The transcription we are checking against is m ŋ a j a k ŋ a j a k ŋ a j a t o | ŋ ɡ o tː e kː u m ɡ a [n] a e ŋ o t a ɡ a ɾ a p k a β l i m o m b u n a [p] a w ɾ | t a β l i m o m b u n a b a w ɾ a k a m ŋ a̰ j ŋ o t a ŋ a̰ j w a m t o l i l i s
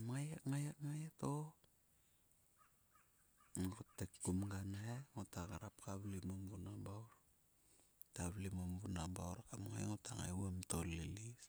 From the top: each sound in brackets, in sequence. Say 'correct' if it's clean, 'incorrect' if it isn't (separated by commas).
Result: correct, incorrect